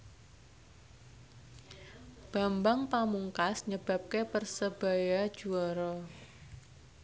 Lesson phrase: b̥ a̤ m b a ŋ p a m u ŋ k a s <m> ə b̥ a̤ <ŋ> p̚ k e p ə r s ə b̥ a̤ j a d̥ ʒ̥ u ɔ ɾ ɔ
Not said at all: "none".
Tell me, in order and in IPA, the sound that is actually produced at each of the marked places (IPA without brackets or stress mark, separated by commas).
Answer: ɲ, none